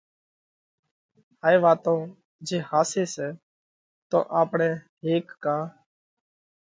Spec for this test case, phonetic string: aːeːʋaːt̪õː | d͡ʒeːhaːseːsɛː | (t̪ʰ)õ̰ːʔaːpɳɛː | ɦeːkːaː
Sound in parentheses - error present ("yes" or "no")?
yes